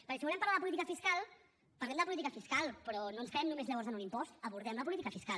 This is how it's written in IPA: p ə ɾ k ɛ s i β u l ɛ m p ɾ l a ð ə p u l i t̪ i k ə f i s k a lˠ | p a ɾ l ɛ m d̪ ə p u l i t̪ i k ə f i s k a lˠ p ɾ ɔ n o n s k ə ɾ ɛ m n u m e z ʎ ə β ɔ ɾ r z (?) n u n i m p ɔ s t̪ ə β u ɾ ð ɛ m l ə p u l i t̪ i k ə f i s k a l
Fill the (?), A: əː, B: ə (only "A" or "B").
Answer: B